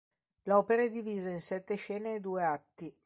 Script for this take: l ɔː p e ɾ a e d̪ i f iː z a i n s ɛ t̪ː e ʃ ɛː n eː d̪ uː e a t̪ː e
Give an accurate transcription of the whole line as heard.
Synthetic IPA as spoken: l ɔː p e ɾ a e d̪ i v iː z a i n s ɛ t̪ː e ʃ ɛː n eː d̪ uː e a t̪ː i